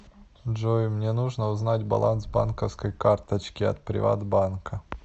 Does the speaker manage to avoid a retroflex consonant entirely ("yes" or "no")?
no